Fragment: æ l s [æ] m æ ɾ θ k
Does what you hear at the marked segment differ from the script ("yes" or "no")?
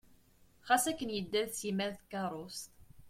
yes